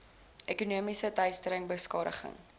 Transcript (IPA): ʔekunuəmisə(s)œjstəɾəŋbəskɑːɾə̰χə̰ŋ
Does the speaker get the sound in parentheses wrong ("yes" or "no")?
yes